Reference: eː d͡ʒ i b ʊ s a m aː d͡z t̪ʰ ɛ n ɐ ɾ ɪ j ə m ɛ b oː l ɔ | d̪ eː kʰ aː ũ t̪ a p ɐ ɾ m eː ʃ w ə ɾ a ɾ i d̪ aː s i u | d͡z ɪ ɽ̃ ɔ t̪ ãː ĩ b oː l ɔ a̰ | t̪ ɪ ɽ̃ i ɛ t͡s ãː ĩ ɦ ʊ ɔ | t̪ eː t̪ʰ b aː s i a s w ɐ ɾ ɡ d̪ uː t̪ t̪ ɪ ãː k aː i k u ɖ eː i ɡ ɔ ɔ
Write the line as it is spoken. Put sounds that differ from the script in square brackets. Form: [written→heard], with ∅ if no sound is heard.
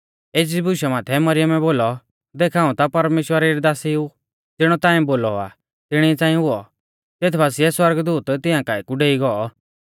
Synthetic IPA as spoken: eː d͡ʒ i b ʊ [s→ʃ] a m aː [d͡z→∅] t̪ʰ ɛ [n→m] ɐ ɾ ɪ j ə m ɛ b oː l ɔ | d̪ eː kʰ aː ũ t̪ a p ɐ ɾ m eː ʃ w ə ɾ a ɾ i d̪ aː s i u | d͡z ɪ ɽ̃ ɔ t̪ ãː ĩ b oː l ɔ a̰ | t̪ ɪ ɽ̃ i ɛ t͡s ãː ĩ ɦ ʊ ɔ | t̪ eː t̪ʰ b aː s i [a→ɛ] s w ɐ ɾ ɡ d̪ uː t̪ t̪ ɪ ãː k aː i k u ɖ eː i ɡ ɔ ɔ